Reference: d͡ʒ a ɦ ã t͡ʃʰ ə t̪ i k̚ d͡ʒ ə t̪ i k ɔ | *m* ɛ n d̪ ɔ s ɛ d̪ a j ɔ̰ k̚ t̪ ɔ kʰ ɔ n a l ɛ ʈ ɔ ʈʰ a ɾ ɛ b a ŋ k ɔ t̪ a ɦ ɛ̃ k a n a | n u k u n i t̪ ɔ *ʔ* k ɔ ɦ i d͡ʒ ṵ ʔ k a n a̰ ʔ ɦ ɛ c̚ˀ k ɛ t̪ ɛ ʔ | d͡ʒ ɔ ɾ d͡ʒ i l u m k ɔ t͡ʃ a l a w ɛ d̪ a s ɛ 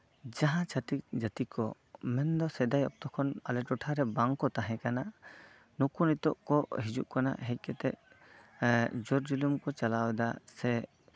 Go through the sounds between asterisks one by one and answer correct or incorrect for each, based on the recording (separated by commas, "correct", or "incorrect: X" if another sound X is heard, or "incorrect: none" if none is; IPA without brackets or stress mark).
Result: correct, correct